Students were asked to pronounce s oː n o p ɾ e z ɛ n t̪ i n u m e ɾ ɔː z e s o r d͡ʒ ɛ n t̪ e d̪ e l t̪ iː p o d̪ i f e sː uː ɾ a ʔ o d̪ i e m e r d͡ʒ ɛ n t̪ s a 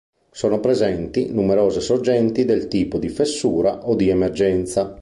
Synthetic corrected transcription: s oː n o p ɾ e z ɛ n t̪ i n u m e ɾ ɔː z e s o r d͡ʒ ɛ n t̪ i d̪ e l t̪ iː p o d̪ i f e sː uː ɾ a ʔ o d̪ i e m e r d͡ʒ ɛ n t̪ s a